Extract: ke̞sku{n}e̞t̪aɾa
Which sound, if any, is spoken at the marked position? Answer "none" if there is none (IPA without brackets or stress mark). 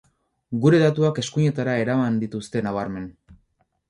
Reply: ɲ